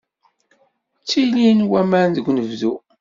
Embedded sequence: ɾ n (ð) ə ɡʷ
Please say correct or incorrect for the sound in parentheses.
correct